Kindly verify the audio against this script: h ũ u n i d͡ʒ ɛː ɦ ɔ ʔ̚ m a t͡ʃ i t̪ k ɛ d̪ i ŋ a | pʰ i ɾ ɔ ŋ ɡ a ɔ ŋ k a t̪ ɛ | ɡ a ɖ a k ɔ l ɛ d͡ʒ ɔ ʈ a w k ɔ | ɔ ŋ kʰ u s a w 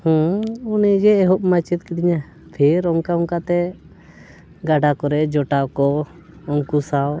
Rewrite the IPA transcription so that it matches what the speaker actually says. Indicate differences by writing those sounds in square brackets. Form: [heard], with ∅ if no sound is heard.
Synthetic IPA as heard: h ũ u n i d͡ʒ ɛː ɦ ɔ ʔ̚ m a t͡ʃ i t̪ k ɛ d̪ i [ɲ] a | pʰ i ɾ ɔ ŋ [k] a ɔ ŋ k a t̪ ɛ | ɡ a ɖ a k ɔ [ɾ] ɛ d͡ʒ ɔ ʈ a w k ɔ | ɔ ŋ [k] u s a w